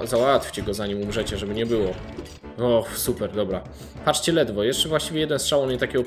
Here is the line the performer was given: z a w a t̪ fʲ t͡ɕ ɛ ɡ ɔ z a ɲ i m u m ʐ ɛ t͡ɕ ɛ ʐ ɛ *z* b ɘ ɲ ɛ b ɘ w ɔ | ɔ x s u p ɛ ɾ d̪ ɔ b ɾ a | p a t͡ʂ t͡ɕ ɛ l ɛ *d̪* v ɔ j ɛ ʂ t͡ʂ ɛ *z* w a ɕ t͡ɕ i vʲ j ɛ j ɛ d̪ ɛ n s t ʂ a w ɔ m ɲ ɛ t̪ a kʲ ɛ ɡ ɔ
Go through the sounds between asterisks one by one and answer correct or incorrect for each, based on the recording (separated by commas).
incorrect, correct, incorrect